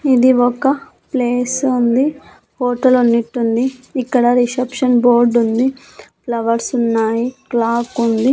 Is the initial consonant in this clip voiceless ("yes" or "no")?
no